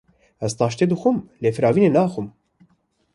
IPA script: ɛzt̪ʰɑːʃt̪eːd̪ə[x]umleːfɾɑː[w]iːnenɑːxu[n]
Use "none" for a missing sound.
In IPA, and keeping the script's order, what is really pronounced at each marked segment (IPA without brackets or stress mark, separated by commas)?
x, v, m